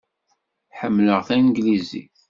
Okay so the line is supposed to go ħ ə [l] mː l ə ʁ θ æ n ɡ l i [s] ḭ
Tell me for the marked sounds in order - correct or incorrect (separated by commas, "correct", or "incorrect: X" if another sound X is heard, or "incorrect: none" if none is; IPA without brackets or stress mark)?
incorrect: none, incorrect: z